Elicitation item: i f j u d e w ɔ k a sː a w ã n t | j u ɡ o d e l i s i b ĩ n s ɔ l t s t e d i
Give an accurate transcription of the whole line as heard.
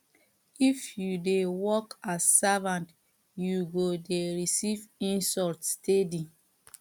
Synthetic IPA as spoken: i f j u d e w ɔ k a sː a v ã n t | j u ɡ o d e ɹ i s i v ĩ n s ɔ l t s t e d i